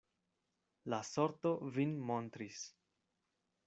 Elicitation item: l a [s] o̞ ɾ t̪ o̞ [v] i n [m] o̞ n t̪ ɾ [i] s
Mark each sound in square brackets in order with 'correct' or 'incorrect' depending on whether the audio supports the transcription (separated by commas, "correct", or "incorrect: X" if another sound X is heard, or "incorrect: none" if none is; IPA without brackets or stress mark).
correct, correct, correct, correct